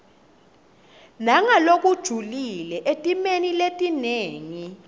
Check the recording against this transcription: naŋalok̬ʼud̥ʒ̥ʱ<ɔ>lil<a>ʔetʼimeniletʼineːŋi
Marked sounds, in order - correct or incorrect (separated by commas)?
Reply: incorrect, incorrect